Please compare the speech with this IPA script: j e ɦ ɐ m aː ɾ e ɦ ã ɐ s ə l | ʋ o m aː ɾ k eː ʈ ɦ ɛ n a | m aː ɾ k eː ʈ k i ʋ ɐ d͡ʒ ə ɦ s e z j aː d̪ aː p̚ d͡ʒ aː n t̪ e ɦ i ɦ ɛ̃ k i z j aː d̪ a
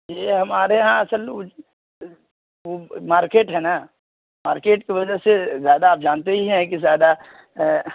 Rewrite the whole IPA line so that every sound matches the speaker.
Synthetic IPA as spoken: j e ɦ ɐ m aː ɾ e ɦ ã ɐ s ə l | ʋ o m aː ɾ k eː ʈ ɦ ɛ n a | m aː ɾ k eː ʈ k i ʋ ɐ d͡ʒ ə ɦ s e z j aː d̪ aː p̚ d͡ʒ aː n t̪ e ɦ i ɦ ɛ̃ k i z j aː d̪ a

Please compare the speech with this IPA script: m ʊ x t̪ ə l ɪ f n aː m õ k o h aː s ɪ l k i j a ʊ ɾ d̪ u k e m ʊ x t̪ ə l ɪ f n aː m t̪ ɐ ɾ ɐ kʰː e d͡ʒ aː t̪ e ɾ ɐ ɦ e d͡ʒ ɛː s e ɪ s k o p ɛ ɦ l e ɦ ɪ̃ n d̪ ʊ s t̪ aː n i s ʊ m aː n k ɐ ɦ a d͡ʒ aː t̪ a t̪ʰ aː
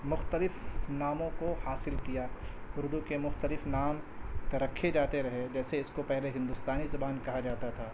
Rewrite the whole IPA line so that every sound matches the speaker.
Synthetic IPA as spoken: m ʊ x t̪ ə l ɪ f n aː m õ k o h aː s ɪ l k i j a ʊ ɾ d̪ u k e m ʊ x t̪ ə l ɪ f n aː m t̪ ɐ ɾ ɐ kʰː e d͡ʒ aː t̪ e ɾ ɐ ɦ e d͡ʒ ɛː s e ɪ s k o p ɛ ɦ l e ɦ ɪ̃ n d̪ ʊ s t̪ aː n i z ʊ b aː n k ɐ ɦ a d͡ʒ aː t̪ a t̪ʰ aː

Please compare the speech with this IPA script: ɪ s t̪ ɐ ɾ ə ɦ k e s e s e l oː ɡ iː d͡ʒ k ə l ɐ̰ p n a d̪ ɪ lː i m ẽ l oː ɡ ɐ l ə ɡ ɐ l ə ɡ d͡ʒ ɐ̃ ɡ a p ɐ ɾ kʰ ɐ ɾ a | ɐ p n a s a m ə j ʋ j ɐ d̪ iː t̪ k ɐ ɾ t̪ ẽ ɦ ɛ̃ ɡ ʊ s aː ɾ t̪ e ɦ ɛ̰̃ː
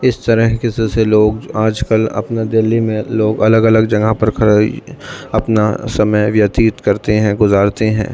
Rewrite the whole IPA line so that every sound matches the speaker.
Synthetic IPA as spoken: ɪ s t̪ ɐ ɾ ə ɦ k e s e s e l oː ɡ aː d͡ʒ k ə l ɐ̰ p n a d̪ ɪ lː i m ẽ l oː ɡ ɐ l ə ɡ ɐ l ə ɡ d͡ʒ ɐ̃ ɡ a p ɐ ɾ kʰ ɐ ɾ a | ɐ p n a s ɐ m ə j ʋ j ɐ t̪ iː t̪ k ɐ ɾ t̪ e ɦ ɛ̃ ɡ ʊ z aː ɾ t̪ e ɦ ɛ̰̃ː

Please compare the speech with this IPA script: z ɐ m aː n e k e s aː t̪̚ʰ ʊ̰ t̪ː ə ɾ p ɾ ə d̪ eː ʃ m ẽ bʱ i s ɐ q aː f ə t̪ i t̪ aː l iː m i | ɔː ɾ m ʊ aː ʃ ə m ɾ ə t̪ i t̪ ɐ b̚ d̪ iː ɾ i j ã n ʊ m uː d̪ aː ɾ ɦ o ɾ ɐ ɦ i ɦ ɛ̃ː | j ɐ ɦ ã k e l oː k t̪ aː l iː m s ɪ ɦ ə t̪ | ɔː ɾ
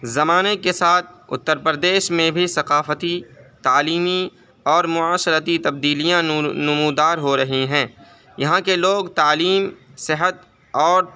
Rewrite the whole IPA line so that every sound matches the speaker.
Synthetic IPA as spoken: z ɐ m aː n e k e s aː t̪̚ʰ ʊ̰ t̪ː ə ɾ p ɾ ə d̪ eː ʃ m ẽ bʱ i s ɐ q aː f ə t̪ i t̪ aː l iː m i | ɔː ɾ m ʊ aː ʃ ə ɾ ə t̪ i t̪ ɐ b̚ d̪ iː l i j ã n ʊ m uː d̪ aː ɾ ɦ o ɾ ɐ ɦ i ɦ ɛ̃ː | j ɐ ɦ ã k e l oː ɡ t̪ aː l iː m s ɪ ɦ ə t̪ | ɔː ɾ

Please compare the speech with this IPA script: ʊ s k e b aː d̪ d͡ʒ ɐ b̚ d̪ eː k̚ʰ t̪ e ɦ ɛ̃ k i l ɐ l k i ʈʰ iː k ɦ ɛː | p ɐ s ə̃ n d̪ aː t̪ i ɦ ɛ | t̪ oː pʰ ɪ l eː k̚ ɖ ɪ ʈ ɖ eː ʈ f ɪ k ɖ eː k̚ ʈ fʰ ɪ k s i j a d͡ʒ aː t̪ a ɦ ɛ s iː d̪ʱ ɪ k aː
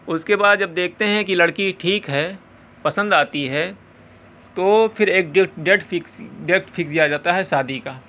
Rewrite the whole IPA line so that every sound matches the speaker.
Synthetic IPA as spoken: ʊ s k e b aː d̪ d͡ʒ ɐ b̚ d̪ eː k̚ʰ t̪ e ɦ ɛ̃ k i l ɐ ɽ k i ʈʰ iː k ɦ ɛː | p ɐ s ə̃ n d̪ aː t̪ i ɦ ɛ | t̪ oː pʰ ɪ ɾ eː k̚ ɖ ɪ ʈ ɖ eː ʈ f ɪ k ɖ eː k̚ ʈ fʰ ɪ k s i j a d͡ʒ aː t̪ a ɦ ɛ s aː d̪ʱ i k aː

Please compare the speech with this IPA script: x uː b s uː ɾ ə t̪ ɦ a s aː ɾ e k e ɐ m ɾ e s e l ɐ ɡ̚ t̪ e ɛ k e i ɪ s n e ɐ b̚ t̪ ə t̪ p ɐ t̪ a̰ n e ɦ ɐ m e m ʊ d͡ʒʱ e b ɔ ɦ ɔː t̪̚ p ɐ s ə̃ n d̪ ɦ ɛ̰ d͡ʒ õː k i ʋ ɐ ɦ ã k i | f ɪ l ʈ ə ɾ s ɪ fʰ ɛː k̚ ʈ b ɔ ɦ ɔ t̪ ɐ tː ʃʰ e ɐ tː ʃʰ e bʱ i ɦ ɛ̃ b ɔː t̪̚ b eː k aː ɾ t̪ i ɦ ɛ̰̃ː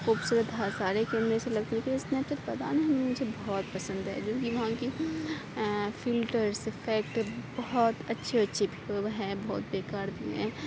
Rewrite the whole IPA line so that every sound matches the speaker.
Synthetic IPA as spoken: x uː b s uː ɾ ə t̪ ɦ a s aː ɾ e k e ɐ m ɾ e s e l ɐ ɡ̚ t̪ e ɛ k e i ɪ s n e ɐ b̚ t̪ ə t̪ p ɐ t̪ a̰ n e ɦ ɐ m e m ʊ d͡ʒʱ e b ɔ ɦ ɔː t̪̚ p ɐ s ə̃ n d̪ ɦ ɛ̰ d͡ʒ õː k i ʋ ɐ ɦ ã k i | f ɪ l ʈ ə ɾ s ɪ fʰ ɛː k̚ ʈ b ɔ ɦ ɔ t̪ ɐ tː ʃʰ e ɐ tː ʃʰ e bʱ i ɦ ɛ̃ b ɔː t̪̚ b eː k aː ɾ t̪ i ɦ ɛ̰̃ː

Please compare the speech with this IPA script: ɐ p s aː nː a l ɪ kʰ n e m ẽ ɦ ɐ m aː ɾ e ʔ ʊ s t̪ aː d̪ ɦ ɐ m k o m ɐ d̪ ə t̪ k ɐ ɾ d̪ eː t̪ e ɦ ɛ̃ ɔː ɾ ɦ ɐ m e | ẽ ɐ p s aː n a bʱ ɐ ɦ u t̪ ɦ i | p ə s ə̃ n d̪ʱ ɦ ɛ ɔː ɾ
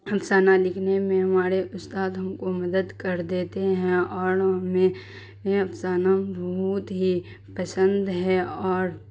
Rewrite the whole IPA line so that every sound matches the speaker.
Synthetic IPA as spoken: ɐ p s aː n a l ɪ kʰ n e m ẽ ɦ ɐ m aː ɾ e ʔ ʊ s t̪ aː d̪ ɦ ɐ m k o m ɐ d̪ ə d̪ k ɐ ɾ d̪ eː t̪ e ɦ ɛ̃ ɔː ɾ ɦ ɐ m e | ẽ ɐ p s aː n a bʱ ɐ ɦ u t̪ ɦ i | p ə s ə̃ n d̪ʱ ɦ ɛ ɔː ɾ

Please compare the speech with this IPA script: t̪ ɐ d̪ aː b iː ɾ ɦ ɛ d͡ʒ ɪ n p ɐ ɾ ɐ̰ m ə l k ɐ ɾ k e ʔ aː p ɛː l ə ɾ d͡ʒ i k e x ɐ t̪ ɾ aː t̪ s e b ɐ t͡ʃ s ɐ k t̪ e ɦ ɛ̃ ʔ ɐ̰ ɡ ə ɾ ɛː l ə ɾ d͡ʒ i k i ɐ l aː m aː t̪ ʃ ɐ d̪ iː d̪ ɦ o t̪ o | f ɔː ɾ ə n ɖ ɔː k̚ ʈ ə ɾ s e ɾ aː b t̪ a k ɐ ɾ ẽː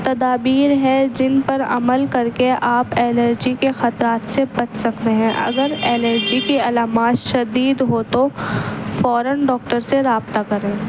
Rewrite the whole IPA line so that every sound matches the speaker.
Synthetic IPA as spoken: t̪ ɐ d̪ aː b iː ɾ ɦ ɛ d͡ʒ ɪ n p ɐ ɾ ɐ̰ m ə l k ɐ ɾ k e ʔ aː p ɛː l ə ɾ d͡ʒ i k e x ɐ t̪ ɾ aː t̪ s e b ɐ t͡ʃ s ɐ k t̪ e ɦ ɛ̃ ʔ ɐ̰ ɡ ə ɾ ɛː l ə ɾ d͡ʒ i k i ɐ l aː m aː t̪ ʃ ɐ d̪ iː d̪ ɦ o t̪ o | f ɔː ɾ ə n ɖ ɔː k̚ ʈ ə ɾ s e ɾ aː b t̪ a k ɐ ɾ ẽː

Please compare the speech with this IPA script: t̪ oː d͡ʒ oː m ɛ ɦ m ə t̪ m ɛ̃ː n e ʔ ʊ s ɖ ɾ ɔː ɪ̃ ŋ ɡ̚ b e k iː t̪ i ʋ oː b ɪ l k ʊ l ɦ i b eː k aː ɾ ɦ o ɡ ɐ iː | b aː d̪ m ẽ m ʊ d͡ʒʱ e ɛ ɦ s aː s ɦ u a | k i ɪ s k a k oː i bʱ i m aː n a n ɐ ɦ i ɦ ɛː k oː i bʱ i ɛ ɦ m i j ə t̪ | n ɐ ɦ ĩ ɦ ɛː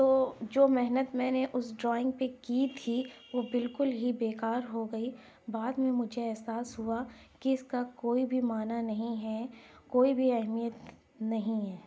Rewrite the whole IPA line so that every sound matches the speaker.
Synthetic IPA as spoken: t̪ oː d͡ʒ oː m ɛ ɦ n ə t̪ m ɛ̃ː n e ʔ ʊ s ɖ ɾ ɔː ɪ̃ ŋ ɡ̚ p e k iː t̪ʰ i ʋ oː b ɪ l k ʊ l ɦ i b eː k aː ɾ ɦ o ɡ ɐ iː | b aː d̪ m ẽ m ʊ d͡ʒʱ e ɛ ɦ s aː s ɦ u a | k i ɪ s k a k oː i bʱ i m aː n a n ɐ ɦ ĩ ɦ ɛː k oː i bʱ i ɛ ɦ m i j ə t̪ | n ɐ ɦ ĩ ɦ ɛː

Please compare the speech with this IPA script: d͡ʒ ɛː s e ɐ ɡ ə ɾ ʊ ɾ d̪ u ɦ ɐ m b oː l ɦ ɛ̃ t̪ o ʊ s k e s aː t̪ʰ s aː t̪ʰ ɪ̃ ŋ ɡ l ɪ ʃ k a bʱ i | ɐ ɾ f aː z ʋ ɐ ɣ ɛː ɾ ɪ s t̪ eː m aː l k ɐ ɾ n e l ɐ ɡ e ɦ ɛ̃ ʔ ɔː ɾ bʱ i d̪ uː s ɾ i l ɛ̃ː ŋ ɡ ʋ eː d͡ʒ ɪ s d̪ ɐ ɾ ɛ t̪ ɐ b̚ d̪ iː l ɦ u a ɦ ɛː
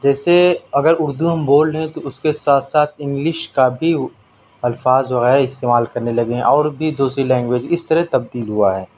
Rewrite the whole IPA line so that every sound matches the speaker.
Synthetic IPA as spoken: d͡ʒ ɛː s e ɐ ɡ ə ɾ ʊ ɾ d̪ u ɦ ɐ m b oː l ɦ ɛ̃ t̪ o ʊ s k e s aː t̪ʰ s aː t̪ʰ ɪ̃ ŋ ɡ l ɪ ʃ k a bʱ i | ɐ l f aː z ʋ ɐ ɣ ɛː ɾ ɪ s t̪ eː m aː l k ɐ ɾ n e l ɐ ɡ e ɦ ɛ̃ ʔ ɔː ɾ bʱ i d̪ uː s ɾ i l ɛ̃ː ŋ ɡ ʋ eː d͡ʒ ɪ s t̪ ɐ ɾ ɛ t̪ ɐ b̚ d̪ iː l ɦ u a ɦ ɛː

